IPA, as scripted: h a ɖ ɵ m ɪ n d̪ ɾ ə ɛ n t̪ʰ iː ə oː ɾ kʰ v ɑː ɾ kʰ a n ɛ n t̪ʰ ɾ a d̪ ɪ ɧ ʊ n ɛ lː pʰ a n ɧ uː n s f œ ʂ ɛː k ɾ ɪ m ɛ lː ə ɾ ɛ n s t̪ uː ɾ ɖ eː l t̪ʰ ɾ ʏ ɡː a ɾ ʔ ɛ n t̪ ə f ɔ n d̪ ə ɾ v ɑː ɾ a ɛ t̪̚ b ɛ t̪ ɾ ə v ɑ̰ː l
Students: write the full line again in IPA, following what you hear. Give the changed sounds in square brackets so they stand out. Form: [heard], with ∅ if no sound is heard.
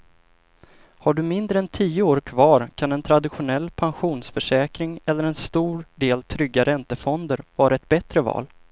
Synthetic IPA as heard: h a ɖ ɵ m ɪ n d̪ ɾ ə ɛ n t̪ʰ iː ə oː ɾ kʰ v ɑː ɾ kʰ a n ɛ n t̪ʰ ɾ a d̪ ɪ ɧ ʊ n ɛ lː pʰ a n ɧ uː n s f œ ʂ ɛː k ɾ ɪ [ŋ] ɛ lː ə ɾ ɛ n s t̪ uː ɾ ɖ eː l t̪ʰ ɾ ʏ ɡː a ɾ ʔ ɛ n t̪ ə f ɔ n d̪ ə ɾ v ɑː ɾ a ɛ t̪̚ b ɛ t̪ ɾ ə v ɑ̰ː l